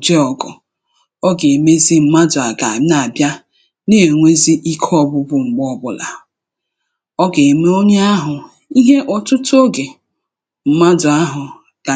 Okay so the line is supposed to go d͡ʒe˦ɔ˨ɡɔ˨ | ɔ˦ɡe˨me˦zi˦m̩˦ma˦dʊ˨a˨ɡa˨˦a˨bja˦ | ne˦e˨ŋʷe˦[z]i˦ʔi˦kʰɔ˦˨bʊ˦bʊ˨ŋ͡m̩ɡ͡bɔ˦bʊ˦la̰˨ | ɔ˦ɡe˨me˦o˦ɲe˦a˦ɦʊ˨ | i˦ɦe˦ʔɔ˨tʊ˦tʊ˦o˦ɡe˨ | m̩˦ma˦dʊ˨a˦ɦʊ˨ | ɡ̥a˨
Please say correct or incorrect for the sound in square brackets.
correct